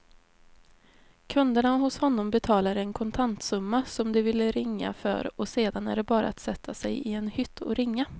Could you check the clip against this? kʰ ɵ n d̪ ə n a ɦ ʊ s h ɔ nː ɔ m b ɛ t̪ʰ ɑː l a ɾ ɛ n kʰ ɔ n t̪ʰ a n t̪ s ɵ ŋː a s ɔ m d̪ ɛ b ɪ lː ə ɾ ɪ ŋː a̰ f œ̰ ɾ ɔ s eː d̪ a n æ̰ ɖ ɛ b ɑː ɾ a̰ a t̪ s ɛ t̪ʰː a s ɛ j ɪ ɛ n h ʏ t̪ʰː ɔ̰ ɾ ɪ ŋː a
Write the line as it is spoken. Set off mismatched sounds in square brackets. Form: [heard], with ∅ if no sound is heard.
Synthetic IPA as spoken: kʰ ɵ n d̪ ə [ɳ] a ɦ ʊ s h ɔ nː ɔ m b ɛ t̪ʰ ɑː l a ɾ ɛ n kʰ ɔ n t̪ʰ a n t̪ s ɵ [mː] a s ɔ m d̪ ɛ [v] ɪ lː ə ɾ ɪ ŋː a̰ f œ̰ ɾ ɔ s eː d̪ a n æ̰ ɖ ɛ b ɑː ɾ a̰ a t̪ s ɛ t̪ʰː a s ɛ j ɪ ɛ n h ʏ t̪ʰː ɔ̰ ɾ ɪ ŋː a